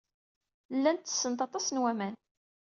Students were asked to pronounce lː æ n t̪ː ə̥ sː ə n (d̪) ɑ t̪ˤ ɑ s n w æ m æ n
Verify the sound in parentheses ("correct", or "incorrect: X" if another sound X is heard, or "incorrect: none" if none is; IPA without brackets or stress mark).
incorrect: t̪